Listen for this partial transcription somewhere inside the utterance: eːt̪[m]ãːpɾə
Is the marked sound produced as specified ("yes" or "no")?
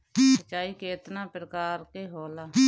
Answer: no